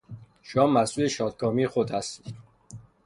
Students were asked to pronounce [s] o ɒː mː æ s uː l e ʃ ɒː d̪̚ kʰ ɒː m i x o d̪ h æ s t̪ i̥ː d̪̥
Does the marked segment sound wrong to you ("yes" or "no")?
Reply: yes